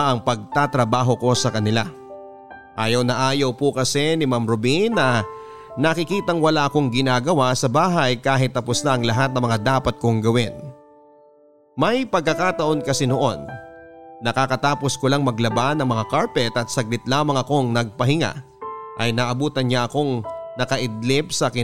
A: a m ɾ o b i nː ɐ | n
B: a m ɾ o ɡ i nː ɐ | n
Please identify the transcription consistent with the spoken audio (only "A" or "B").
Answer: A